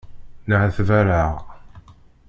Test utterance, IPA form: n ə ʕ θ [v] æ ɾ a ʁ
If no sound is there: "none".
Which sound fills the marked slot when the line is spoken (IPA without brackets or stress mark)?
v